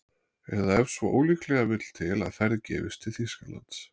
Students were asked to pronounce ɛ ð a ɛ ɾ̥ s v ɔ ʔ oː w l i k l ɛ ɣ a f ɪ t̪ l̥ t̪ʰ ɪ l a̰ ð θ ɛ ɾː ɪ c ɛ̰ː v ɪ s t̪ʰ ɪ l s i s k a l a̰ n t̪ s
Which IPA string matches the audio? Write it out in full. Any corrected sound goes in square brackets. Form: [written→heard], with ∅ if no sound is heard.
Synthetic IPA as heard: ɛ ð a ɛ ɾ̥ s v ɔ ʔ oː w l i k l ɛ ɣ a [f→v] ɪ t̪ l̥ t̪ʰ ɪ l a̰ ð θ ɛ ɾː ɪ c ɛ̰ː v ɪ s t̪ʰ ɪ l [s→θ] i s k a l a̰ n t̪ s